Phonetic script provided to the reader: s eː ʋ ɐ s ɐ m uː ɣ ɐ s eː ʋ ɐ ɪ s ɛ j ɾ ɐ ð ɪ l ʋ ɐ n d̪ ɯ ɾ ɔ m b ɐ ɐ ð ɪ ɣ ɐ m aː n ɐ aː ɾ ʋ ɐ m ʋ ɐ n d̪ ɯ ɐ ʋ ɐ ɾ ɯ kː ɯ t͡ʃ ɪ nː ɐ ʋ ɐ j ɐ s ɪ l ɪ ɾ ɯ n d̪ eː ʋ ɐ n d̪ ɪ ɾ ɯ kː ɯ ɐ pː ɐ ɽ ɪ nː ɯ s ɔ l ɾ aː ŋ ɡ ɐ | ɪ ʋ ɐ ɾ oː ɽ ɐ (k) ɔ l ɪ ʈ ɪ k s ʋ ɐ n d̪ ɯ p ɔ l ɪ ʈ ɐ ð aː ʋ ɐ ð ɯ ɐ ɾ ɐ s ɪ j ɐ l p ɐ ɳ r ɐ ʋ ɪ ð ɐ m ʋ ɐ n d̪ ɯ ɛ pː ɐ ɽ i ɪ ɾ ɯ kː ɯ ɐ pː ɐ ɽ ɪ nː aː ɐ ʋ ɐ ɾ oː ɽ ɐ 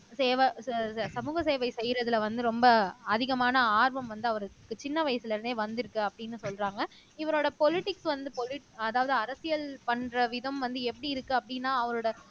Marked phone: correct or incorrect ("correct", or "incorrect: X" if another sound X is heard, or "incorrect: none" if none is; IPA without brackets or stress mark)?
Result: incorrect: p